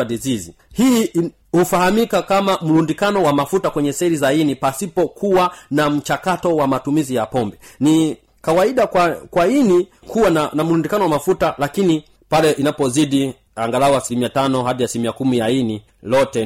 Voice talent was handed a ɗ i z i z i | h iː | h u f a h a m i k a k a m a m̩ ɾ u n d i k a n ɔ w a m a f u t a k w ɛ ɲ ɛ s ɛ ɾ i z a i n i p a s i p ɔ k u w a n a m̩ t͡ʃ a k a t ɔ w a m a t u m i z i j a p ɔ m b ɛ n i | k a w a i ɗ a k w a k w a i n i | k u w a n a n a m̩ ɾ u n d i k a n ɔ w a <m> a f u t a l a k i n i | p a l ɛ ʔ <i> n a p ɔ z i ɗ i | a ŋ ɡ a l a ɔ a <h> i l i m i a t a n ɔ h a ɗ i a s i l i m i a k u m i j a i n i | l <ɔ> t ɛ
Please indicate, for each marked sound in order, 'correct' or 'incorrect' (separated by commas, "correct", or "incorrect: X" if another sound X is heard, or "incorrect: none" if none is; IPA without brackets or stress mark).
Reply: correct, correct, incorrect: s, correct